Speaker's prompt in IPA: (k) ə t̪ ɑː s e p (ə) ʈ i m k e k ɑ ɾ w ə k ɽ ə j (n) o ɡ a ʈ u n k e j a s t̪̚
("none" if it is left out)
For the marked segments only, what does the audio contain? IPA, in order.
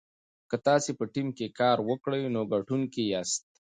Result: k, ə, n

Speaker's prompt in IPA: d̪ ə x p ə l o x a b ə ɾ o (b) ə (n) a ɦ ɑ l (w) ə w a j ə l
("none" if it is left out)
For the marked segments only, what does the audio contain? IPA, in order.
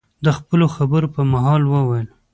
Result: p, m, w

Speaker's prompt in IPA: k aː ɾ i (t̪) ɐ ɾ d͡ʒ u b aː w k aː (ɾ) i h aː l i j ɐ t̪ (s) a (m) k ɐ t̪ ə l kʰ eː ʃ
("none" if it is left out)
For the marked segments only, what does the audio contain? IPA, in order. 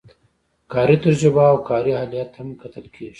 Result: t̪, ɾ, h, m

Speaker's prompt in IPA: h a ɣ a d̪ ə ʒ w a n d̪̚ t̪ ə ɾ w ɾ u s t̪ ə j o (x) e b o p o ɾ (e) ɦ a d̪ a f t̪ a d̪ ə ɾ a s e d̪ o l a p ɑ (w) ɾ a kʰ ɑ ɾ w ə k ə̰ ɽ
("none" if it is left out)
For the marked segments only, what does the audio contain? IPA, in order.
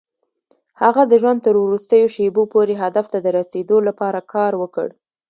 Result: ʃ, e, none

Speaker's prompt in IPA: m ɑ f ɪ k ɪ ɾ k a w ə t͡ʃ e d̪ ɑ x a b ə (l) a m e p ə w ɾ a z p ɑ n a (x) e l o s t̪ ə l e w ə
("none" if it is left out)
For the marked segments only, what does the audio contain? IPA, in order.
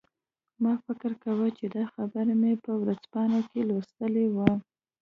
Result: ɾ, k

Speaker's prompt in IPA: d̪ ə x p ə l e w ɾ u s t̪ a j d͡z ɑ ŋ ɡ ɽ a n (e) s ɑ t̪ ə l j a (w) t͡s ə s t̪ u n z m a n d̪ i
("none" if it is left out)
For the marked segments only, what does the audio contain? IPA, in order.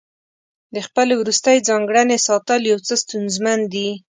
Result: e, w

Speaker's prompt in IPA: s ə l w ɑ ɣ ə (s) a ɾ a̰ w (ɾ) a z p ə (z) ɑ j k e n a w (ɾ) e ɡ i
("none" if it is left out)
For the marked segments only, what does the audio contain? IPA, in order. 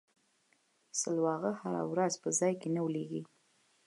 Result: h, ɾ, z, l

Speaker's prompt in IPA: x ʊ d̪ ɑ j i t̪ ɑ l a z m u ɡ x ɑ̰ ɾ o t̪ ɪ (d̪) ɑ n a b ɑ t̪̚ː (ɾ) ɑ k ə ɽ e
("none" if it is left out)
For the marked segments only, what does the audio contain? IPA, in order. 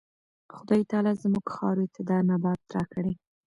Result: d̪, ɾ

